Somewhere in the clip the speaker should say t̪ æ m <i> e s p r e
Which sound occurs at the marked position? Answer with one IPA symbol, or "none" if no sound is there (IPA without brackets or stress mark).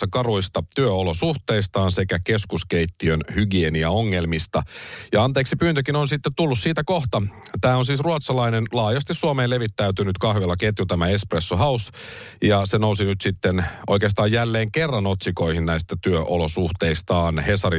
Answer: æ